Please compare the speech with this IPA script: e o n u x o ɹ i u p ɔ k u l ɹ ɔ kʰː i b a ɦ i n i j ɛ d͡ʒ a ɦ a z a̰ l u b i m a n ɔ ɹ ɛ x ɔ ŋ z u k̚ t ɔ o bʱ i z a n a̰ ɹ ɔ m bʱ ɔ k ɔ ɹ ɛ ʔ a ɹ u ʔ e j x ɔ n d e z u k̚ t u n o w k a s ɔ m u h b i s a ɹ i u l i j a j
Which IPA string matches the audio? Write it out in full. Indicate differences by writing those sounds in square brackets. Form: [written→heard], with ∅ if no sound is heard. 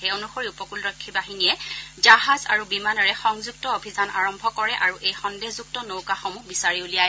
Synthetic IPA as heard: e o n u x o ɹ i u p ɔ k u l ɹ ɔ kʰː i b a ɦ i n i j ɛ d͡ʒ a ɦ a z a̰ [l→ɹ] u b i m a n ɔ ɹ ɛ x ɔ ŋ z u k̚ t ɔ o bʱ i z a n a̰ ɹ ɔ m bʱ ɔ k ɔ ɹ ɛ ʔ a ɹ u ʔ e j x ɔ n d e z u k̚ t [u→ɔ] n o w k a [s→x] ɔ m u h b i s a ɹ i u l i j a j